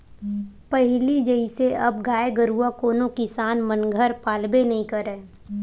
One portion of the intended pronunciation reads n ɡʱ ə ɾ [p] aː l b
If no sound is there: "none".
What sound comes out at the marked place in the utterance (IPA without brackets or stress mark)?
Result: p